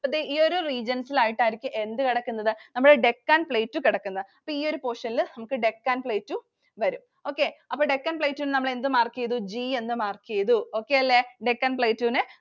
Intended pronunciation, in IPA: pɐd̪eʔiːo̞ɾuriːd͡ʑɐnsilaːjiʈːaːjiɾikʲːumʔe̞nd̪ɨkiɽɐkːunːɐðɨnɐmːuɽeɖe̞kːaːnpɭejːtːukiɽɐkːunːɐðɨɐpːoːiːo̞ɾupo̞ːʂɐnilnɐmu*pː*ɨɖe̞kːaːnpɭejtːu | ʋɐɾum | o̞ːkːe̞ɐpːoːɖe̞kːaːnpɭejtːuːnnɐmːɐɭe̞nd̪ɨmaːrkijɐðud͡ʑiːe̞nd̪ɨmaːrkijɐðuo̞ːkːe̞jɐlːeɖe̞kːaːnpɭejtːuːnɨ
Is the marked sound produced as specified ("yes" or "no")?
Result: no